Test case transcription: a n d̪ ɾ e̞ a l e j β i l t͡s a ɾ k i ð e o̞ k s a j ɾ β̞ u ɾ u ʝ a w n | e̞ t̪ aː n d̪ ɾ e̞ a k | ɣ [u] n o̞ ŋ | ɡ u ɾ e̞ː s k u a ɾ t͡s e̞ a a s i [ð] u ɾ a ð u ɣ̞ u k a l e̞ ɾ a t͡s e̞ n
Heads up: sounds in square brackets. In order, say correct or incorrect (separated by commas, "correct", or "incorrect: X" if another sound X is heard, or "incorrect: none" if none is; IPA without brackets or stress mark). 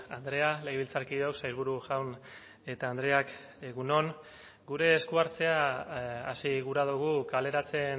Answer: correct, incorrect: ɣ